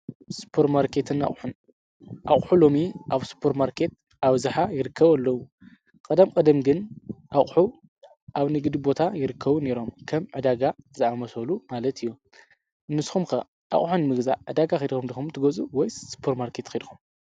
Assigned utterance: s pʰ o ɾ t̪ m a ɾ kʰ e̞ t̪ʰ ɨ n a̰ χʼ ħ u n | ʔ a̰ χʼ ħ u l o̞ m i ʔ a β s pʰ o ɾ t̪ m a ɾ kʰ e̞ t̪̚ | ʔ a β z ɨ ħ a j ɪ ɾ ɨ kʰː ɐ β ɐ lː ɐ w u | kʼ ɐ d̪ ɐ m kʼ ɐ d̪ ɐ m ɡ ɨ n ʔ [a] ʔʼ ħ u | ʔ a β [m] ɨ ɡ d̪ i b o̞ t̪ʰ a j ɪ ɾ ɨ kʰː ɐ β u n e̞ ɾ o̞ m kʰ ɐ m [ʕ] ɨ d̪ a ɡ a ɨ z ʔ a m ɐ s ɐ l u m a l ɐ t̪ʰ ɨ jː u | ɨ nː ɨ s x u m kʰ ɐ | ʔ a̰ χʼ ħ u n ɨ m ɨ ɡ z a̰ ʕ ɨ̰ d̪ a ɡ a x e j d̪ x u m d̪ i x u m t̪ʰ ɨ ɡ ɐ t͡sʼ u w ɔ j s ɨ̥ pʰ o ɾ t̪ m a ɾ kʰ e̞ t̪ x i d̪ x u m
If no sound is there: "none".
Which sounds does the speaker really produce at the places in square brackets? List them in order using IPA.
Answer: a, n, ʕ

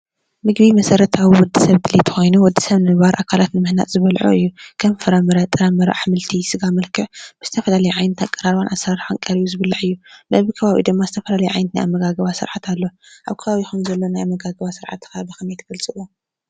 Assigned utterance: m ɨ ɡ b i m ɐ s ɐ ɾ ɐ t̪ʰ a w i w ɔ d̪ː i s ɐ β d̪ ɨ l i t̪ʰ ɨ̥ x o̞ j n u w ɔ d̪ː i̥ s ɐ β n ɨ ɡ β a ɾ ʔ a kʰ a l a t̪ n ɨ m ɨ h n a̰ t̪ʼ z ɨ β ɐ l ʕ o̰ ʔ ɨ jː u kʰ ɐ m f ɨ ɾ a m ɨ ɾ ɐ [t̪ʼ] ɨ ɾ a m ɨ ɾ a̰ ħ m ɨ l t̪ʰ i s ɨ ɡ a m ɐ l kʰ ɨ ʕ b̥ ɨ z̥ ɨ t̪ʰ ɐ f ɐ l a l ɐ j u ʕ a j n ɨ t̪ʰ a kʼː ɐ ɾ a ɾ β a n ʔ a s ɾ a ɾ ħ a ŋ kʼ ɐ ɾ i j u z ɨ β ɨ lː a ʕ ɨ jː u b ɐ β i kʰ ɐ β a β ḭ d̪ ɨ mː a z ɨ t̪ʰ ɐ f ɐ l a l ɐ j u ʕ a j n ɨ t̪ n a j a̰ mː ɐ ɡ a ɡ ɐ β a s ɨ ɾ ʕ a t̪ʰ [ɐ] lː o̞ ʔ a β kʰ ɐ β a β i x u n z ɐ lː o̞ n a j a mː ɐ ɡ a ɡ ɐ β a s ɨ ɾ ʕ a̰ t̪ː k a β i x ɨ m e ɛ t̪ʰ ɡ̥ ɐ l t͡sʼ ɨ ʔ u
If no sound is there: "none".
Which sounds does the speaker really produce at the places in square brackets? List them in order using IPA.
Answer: t̪ʼ, a

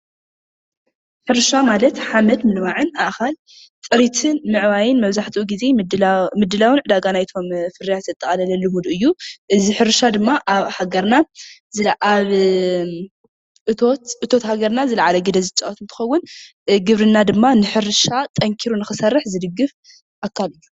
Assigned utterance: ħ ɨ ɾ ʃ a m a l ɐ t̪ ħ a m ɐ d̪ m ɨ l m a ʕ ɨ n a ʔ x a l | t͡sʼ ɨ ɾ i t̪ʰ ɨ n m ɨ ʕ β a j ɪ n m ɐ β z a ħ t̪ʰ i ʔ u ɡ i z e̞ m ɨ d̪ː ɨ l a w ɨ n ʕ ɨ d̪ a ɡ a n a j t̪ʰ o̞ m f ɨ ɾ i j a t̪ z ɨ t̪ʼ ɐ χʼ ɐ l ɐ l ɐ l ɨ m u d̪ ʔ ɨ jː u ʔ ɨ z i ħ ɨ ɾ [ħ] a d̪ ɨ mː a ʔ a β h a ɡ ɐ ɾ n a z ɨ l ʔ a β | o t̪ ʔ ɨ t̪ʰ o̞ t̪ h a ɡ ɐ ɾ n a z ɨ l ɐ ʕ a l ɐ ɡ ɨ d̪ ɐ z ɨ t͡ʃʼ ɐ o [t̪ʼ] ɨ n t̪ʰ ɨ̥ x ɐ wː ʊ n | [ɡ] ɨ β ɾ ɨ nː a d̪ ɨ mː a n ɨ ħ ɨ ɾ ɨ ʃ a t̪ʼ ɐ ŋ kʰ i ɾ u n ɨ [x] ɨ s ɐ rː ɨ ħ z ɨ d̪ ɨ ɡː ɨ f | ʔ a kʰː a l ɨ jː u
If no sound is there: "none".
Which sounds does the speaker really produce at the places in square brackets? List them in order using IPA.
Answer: ʃ, t̪, ɡ, x

